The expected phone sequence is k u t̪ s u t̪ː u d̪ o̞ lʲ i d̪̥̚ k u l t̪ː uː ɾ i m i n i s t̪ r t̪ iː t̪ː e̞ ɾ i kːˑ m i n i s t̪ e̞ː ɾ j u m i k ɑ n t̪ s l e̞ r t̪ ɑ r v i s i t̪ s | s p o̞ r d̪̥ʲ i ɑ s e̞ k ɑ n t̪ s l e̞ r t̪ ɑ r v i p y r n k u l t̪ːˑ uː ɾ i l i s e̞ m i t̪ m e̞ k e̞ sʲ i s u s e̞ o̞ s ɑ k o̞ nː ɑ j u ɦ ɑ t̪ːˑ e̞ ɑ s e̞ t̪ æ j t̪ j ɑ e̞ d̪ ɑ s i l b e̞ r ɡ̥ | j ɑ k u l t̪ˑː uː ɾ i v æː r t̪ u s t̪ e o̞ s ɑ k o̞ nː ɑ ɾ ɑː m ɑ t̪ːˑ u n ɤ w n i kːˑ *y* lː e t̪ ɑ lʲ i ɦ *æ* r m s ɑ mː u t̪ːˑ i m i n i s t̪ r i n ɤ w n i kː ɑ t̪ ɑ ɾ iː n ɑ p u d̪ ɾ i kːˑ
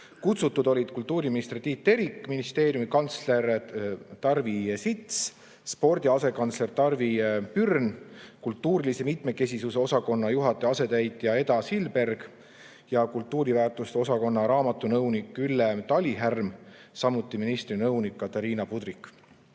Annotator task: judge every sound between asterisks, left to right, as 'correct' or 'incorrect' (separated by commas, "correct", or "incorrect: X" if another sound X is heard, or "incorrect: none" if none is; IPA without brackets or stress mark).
correct, correct